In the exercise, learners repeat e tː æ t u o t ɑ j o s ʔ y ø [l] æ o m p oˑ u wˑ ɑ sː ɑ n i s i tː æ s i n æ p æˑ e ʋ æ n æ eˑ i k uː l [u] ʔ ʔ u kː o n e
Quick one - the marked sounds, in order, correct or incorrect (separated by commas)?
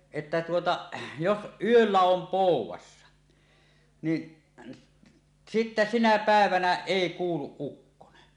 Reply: incorrect, correct